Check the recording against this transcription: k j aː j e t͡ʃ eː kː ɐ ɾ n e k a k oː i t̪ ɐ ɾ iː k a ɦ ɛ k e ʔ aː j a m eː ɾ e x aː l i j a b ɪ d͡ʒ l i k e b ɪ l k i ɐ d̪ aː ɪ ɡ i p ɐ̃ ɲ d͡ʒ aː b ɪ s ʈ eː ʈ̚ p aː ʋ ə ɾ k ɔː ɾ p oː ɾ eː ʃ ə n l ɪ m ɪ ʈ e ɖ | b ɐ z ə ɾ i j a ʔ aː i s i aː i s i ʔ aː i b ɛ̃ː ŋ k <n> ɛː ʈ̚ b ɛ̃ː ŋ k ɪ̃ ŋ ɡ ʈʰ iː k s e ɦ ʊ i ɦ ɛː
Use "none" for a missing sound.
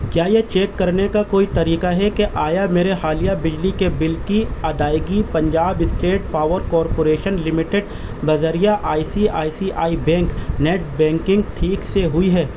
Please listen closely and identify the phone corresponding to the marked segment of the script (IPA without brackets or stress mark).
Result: n